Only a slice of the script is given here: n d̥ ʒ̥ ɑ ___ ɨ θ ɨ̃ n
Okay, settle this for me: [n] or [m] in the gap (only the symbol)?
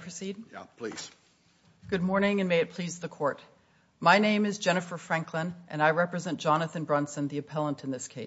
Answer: n